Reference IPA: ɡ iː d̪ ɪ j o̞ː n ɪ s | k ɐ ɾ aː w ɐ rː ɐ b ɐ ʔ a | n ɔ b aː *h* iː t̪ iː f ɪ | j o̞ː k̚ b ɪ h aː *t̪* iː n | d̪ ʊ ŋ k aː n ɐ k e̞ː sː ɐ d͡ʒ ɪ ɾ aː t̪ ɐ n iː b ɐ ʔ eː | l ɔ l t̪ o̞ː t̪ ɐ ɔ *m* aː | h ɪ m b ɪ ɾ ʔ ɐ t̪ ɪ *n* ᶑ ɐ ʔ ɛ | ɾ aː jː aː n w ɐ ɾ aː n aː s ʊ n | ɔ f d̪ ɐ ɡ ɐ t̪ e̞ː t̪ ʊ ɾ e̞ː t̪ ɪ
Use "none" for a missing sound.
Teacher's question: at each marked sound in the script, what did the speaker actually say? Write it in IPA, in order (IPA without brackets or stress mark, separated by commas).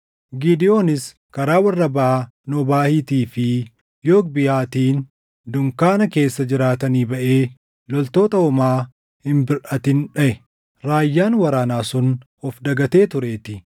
h, t̪, m, n